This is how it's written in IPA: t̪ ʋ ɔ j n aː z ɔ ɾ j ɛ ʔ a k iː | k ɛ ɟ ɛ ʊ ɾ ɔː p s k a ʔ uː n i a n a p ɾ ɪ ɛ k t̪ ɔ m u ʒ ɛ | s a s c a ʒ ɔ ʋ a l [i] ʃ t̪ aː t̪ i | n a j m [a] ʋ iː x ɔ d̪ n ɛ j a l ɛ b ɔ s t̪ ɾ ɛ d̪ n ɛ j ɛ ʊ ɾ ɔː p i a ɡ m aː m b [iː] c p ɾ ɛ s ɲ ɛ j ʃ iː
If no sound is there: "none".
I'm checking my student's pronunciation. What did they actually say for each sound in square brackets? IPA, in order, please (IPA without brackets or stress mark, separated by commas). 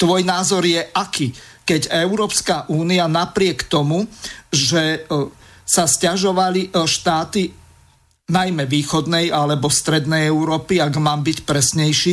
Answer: i, ɛ, i